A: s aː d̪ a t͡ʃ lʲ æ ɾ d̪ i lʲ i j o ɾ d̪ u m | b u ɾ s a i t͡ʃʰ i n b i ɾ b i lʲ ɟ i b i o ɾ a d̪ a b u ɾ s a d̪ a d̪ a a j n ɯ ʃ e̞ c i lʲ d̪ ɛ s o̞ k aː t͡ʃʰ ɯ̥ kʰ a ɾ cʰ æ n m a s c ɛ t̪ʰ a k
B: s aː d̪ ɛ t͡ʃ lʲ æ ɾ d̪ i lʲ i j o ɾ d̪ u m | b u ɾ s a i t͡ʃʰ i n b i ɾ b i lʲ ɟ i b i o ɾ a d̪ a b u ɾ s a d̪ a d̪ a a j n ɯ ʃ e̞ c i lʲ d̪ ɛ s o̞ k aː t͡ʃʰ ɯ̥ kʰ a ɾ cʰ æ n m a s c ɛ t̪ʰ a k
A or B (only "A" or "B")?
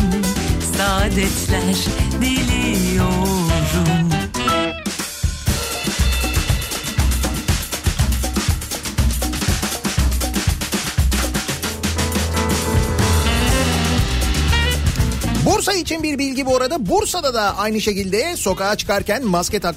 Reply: B